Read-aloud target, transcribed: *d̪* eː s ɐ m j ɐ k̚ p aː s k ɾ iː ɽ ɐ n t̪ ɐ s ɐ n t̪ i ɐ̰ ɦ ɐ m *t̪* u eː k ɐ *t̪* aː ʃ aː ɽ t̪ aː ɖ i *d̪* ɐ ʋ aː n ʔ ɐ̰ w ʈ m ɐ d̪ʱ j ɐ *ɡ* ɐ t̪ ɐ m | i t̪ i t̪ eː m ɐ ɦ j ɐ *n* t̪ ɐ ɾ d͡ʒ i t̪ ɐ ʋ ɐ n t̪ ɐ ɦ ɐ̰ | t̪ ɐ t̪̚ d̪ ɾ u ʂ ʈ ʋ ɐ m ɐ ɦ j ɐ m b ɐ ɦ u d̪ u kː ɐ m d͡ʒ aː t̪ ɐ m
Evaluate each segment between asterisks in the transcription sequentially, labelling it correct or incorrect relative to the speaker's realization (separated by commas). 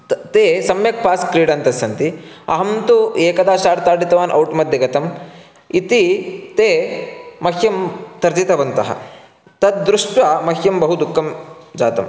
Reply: incorrect, correct, incorrect, incorrect, correct, incorrect